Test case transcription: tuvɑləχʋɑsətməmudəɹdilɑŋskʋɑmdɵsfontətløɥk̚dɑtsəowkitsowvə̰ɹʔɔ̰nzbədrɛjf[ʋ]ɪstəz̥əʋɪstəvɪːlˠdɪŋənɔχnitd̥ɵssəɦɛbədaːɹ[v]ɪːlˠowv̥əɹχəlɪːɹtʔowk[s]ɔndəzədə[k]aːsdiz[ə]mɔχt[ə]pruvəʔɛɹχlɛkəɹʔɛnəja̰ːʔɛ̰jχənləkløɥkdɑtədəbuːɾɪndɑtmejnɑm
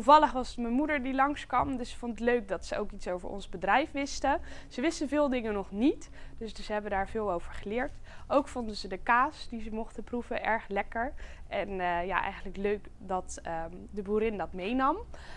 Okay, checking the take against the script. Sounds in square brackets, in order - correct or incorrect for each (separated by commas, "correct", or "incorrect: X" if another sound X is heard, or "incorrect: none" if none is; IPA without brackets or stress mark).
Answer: correct, correct, incorrect: f, correct, correct, correct